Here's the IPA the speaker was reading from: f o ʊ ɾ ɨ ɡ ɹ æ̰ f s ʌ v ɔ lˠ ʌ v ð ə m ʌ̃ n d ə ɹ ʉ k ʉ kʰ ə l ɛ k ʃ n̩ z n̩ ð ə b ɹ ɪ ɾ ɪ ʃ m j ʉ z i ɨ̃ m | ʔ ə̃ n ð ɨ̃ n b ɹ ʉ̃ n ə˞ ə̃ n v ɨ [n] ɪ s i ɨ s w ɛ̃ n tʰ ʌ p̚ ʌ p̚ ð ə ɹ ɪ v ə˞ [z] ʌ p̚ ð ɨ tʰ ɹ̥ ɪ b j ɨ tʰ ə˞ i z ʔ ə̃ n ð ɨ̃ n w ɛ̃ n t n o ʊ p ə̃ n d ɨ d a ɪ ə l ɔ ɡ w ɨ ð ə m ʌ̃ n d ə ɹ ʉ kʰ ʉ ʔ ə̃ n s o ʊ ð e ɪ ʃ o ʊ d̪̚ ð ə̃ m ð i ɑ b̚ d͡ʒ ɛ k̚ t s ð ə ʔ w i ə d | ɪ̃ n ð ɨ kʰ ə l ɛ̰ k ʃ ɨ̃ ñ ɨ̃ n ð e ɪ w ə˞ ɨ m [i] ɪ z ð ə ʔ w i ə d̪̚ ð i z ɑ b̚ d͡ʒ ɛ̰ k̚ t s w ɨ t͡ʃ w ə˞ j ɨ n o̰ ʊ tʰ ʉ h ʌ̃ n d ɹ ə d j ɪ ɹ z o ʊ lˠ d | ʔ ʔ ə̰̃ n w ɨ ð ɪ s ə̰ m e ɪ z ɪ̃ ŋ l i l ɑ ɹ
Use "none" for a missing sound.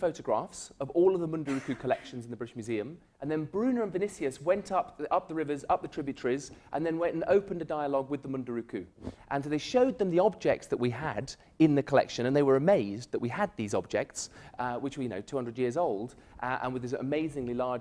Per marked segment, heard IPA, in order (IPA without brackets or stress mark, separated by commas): n, z, e